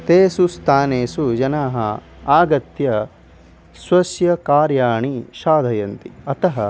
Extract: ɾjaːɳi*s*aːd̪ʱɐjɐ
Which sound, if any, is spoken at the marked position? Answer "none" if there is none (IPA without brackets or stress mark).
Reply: ʃ